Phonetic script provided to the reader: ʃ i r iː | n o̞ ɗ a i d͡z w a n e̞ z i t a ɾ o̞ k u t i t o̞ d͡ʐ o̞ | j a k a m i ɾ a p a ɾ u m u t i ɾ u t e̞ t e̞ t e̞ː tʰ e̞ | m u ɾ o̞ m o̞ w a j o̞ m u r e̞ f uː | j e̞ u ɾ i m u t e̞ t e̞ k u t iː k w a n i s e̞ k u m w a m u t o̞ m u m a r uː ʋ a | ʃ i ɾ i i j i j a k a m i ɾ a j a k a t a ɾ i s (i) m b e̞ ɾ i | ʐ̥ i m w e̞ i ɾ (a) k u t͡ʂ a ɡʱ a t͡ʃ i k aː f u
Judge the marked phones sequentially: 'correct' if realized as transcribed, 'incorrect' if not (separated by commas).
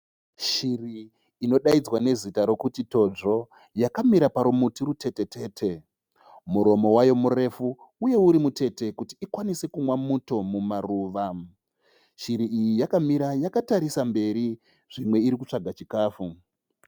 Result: incorrect, incorrect